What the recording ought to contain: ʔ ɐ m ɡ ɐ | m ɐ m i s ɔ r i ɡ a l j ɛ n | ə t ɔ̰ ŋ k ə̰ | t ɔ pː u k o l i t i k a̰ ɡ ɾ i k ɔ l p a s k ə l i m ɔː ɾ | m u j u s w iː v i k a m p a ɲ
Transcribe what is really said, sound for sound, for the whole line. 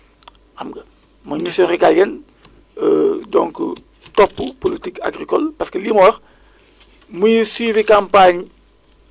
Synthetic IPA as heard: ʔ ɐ m ɡ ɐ | m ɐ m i s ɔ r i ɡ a l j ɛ n | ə d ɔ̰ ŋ k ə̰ | t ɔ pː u p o l i t i k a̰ ɡ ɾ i k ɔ l p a s k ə l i m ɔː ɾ | m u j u s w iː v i k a m p a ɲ